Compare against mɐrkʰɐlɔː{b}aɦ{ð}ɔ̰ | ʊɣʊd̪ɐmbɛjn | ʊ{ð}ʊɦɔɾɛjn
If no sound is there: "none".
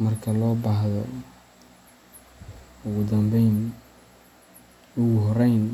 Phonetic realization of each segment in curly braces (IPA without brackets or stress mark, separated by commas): b, ð, ɣ